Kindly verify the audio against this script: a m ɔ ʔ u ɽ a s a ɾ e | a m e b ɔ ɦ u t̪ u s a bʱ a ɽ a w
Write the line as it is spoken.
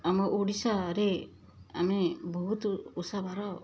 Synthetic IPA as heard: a m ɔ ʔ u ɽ i s a ɾ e | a m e b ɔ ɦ u t̪ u s a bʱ a ɾ a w